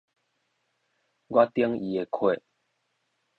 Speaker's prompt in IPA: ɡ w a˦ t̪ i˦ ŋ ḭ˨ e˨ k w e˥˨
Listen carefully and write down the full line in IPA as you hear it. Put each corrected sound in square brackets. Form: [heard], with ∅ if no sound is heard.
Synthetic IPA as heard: ɡ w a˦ t̪ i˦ ŋ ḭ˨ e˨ [kʰ] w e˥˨